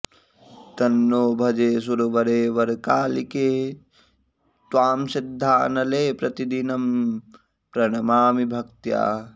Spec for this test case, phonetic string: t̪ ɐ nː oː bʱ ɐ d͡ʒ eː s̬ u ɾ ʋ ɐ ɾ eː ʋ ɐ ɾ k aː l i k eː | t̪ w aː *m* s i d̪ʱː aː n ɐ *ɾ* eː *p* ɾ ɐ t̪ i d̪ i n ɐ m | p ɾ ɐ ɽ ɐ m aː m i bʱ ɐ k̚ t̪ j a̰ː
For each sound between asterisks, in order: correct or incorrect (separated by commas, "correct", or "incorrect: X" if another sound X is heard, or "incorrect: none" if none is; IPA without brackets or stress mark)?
correct, incorrect: l, correct